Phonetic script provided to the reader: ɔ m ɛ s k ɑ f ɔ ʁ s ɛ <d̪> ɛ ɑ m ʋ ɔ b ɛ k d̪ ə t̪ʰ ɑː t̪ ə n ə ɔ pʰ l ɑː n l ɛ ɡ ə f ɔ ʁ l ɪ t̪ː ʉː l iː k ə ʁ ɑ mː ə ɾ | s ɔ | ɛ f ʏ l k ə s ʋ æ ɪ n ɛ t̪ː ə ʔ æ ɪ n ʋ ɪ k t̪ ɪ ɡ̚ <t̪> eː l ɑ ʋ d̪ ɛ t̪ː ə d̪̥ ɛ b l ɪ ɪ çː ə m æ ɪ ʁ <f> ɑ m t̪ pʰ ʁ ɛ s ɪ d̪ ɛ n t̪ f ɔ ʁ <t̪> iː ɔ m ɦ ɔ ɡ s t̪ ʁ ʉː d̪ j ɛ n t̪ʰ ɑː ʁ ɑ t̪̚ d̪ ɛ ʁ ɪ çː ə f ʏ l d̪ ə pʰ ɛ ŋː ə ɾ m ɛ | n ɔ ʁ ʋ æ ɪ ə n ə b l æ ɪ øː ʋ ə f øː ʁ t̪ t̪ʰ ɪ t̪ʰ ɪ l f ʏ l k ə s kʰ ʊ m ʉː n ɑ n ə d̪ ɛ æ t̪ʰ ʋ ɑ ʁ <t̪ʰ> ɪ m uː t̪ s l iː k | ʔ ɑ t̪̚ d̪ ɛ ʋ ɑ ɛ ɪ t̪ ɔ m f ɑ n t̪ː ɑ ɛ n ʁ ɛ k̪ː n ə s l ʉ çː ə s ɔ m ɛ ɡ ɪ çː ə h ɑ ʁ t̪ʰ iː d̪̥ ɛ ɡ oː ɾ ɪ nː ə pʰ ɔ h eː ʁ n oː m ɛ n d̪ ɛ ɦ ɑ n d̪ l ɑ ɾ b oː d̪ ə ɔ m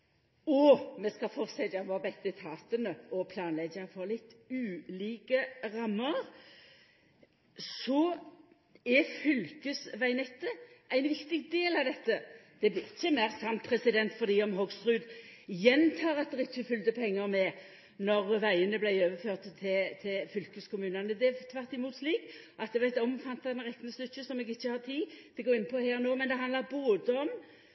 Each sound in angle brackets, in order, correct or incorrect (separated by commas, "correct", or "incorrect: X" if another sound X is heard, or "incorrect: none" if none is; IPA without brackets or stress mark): correct, incorrect: d̪, incorrect: s, incorrect: d̪, incorrect: t̪